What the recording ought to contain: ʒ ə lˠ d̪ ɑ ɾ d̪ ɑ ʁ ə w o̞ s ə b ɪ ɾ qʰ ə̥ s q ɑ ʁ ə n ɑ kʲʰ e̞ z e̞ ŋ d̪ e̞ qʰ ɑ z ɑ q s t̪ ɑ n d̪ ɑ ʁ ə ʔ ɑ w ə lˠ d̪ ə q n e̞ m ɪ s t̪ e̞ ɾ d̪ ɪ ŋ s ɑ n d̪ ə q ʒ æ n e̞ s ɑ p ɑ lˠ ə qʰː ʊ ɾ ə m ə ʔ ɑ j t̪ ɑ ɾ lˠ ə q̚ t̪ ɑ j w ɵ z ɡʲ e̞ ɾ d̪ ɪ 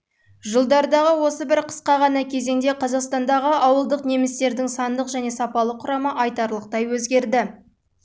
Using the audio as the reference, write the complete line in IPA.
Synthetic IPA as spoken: ʒ ə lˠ d̪ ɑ ɾ d̪ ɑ ʁ ə w o̞ s ə b ɪ ɾ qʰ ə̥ s q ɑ ʁ ɑ n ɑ kʲʰ e̞ z e̞ ŋ d̪ e̞ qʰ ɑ z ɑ q s t̪ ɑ n d̪ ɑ ʁ ə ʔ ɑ w ə lˠ d̪ ə q n e̞ m ɪ s t̪ e̞ ɾ d̪ ɪ ŋ s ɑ n d̪ ə q ʒ æ n e̞ s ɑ p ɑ lˠ ə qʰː ʊ ɾ ɑ m ə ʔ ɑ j t̪ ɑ ɾ lˠ ə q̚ t̪ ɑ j w ɵ z ɡʲ e̞ ɾ d̪ ɪ